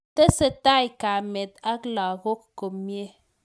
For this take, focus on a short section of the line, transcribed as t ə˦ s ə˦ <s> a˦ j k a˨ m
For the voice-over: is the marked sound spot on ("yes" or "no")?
no